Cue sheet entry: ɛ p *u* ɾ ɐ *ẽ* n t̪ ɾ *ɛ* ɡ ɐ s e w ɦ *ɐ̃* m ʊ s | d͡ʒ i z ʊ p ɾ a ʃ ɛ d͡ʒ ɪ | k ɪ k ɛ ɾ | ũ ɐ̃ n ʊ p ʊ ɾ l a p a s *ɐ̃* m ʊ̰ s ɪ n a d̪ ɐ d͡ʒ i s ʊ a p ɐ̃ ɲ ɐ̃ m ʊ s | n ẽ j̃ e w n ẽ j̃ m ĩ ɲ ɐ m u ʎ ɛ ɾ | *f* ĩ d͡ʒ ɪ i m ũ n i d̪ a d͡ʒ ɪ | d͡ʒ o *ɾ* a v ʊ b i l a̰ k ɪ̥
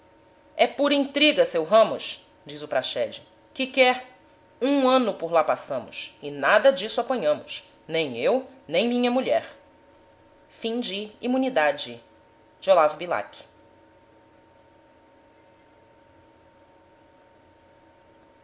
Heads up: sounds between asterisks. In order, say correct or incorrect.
correct, incorrect, incorrect, correct, correct, correct, incorrect

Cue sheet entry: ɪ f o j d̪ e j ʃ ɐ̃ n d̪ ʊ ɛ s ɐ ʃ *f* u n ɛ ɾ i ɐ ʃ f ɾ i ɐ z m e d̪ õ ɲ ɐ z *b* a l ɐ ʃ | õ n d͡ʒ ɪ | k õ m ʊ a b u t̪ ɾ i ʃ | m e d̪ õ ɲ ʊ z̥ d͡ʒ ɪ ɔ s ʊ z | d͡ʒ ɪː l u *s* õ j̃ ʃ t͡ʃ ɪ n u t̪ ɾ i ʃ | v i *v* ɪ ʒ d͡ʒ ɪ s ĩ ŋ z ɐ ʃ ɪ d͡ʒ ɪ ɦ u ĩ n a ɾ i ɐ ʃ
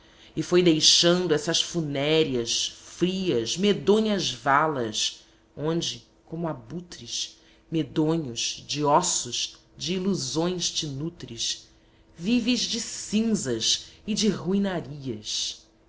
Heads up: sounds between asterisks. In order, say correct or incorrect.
correct, incorrect, incorrect, correct

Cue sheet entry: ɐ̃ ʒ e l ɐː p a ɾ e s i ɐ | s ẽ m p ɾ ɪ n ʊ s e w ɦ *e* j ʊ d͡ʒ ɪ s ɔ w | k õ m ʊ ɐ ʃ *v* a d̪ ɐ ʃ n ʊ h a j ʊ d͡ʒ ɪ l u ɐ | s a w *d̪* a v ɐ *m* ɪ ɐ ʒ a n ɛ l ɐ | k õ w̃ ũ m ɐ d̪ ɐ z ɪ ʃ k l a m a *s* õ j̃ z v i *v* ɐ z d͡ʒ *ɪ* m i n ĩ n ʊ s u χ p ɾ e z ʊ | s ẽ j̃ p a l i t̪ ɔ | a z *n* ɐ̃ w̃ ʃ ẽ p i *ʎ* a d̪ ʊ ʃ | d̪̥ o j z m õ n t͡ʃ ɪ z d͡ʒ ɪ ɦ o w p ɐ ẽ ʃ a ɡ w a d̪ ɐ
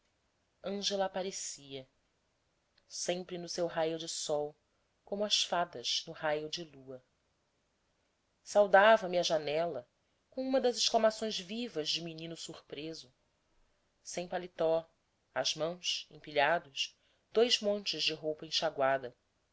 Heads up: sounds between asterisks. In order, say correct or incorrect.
incorrect, incorrect, correct, correct, correct, correct, correct, incorrect, correct

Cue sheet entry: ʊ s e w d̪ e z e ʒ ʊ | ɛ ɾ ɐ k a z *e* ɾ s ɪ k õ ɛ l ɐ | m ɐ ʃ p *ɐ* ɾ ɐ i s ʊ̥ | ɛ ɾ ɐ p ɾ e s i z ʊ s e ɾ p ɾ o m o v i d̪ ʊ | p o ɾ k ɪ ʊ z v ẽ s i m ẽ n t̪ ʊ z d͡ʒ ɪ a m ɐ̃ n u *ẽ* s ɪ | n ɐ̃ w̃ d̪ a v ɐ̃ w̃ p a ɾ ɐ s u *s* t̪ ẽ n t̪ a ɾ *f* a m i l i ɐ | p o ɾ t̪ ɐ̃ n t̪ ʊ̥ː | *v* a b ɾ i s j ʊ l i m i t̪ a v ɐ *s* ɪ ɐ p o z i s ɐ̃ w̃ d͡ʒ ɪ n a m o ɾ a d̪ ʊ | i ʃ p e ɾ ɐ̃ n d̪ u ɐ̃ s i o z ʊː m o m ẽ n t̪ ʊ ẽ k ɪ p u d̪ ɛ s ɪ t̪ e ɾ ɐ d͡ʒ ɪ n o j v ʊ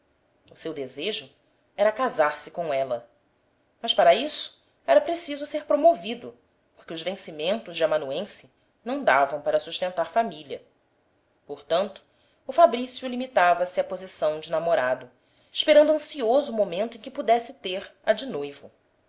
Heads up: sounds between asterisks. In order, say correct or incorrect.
incorrect, incorrect, correct, incorrect, correct, incorrect, correct

